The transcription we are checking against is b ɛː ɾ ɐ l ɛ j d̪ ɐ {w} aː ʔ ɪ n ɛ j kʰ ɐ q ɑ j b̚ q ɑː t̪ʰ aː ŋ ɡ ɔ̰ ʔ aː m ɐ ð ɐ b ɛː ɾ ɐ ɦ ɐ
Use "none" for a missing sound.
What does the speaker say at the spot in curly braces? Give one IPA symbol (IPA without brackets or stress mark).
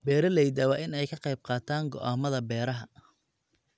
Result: w